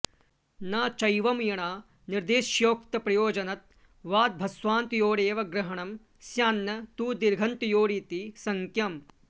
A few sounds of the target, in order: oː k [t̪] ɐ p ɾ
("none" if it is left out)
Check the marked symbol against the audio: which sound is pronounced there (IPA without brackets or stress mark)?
t̪